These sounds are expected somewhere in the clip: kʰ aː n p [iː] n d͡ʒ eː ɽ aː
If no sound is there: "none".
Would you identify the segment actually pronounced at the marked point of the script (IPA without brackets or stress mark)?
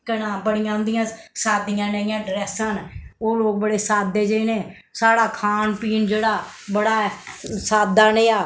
iː